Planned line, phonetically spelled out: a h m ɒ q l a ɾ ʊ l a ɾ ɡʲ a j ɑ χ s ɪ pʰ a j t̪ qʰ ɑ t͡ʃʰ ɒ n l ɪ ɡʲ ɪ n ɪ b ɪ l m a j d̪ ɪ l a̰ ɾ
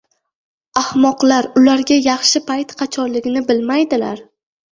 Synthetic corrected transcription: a h m ɒ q l a ɾ ʊ l a ɾ ɡʲ a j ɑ χ ʃ ɪ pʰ a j t̪ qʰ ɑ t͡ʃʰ ɒ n l ɪ ɡʲ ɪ n ɪ b ɪ l m a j d̪ ɪ l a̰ ɾ